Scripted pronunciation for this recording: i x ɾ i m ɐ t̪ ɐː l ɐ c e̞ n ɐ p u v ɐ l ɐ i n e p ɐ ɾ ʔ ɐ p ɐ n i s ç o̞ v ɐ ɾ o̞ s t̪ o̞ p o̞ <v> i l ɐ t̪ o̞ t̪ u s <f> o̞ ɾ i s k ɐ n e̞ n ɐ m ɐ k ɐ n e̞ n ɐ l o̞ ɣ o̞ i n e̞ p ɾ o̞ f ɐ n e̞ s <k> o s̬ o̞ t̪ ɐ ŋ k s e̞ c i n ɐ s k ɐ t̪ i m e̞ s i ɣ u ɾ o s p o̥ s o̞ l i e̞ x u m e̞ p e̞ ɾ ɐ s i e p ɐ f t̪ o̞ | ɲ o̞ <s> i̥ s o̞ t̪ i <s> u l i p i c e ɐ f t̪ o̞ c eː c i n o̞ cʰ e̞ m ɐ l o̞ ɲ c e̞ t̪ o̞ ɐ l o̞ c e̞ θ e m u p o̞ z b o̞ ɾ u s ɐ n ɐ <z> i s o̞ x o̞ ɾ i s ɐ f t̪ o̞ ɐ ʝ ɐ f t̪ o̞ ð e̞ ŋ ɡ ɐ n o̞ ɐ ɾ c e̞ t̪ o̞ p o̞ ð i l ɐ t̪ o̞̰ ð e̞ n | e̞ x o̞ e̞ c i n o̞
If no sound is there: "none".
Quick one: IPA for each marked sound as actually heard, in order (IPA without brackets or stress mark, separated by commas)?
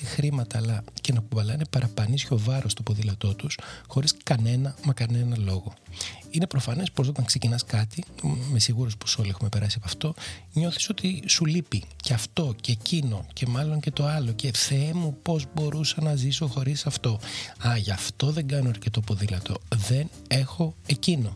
ð, x, p, θ, s, z